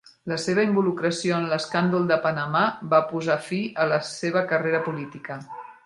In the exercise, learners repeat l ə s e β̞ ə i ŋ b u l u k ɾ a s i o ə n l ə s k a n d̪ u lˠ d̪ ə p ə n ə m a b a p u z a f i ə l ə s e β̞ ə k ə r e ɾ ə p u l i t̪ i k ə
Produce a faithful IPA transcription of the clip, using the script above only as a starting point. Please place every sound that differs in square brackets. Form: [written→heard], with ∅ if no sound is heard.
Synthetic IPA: l ə s e β̞ ə i [ŋ→m] b u l u k ɾ [a→ə] s i o ə n l ə s k a n d̪ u lˠ d̪ ə p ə n ə m a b a p u z a f i ə l ə s e β̞ ə k ə r e ɾ ə p u l i t̪ i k ə

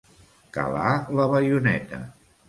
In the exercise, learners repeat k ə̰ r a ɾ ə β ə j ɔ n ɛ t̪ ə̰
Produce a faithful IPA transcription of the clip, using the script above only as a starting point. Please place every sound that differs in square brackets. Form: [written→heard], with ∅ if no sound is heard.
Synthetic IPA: k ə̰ [r→l] a [ɾ→l] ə β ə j [ɔ→u] n ɛ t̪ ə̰

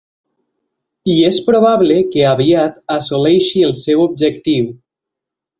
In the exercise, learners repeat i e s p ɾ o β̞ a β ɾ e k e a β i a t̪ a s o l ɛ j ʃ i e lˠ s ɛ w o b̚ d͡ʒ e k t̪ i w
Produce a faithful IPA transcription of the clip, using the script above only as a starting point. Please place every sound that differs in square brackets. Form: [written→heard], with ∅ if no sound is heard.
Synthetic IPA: i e s p ɾ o β̞ a β [ɾ→l] e k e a β i a t̪ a s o l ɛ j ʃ i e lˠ s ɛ w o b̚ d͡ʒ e k t̪ i w

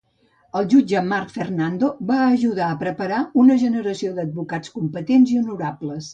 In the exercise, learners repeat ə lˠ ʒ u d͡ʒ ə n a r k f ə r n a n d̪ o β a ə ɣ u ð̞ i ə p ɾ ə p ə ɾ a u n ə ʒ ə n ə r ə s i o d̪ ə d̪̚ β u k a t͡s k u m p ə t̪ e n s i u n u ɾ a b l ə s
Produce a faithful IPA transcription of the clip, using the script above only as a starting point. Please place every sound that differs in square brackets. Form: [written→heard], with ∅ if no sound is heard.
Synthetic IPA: ə lˠ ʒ u d͡ʒ ə [n→m] a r k f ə r n a n d̪ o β a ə [ɣ→ʒ] u ð̞ [i→a] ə p ɾ ə p ə ɾ a u n ə ʒ ə n ə [r→ɾ] ə s i o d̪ ə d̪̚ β u k a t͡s k u m p ə t̪ e n [s→z] i u n u ɾ a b l ə s

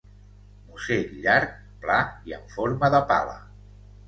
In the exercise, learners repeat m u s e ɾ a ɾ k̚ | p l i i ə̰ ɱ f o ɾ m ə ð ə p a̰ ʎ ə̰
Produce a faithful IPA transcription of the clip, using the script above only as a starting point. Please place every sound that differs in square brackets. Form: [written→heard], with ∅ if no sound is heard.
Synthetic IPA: m u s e [ɾ→ʎ] a ɾ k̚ | p l [i→a] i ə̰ ɱ f o ɾ m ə ð ə p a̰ [ʎ→l] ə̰

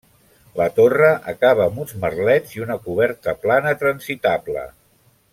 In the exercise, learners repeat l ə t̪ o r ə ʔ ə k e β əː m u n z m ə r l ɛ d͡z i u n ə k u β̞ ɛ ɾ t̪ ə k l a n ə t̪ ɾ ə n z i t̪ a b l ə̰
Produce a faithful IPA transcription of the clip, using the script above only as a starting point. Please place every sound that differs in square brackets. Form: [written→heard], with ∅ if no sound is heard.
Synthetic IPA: l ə t̪ o r ə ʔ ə k [e→a] β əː m u n z m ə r l ɛ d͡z i u n ə k u β̞ ɛ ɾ t̪ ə [k→p] l a n ə t̪ ɾ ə n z i t̪ a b l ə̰

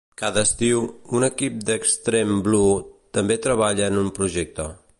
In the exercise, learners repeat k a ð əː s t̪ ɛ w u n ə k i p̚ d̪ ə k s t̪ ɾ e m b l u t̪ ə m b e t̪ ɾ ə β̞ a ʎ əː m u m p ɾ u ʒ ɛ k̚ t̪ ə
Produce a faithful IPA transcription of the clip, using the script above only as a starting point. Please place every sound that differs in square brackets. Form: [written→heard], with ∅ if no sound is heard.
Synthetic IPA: k a ð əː s t̪ [ɛ→i] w u n ə k i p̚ d̪ ə k s t̪ ɾ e m b l u t̪ ə m b e t̪ ɾ ə β̞ a ʎ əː [m→n] u m p ɾ u ʒ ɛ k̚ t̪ ə

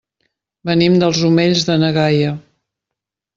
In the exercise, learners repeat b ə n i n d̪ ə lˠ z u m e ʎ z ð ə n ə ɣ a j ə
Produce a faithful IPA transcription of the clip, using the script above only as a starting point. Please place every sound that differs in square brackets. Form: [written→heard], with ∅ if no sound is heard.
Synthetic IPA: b ə n i [n→m] d̪ ə lˠ z u m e ʎ z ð ə n ə ɣ a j ə

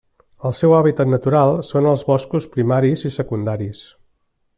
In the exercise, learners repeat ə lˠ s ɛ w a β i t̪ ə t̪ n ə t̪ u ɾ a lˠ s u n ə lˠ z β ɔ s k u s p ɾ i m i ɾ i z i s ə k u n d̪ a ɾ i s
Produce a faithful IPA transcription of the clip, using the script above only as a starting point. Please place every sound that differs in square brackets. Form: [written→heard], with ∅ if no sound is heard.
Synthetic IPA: ə lˠ s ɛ w a β i t̪ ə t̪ n ə t̪ u ɾ a lˠ s [u→o] n ə lˠ z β ɔ s k u s p ɾ i m [i→a] ɾ i z i s ə k u n d̪ a ɾ i s

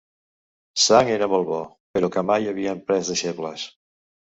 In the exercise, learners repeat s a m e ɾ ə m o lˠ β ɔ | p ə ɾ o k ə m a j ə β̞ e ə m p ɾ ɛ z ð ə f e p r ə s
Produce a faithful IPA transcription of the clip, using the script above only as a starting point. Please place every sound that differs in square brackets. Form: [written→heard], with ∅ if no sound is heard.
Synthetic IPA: s a [m→ŋ] e ɾ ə m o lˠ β ɔ | p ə ɾ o k ə m a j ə β̞ [e→i] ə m p ɾ ɛ z ð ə [f→ʃ] e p [r→l] ə s

